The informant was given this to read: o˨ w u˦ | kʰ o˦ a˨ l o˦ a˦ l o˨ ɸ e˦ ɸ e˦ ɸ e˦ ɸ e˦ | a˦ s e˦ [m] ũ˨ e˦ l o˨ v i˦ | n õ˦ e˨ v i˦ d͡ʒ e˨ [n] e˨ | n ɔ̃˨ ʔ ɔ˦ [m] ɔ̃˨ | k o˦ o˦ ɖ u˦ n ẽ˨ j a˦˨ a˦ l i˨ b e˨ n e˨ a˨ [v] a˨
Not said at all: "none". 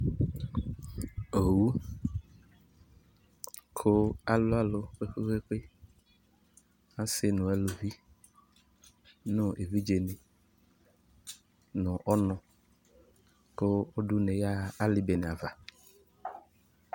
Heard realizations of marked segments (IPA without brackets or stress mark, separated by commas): n, n, n, v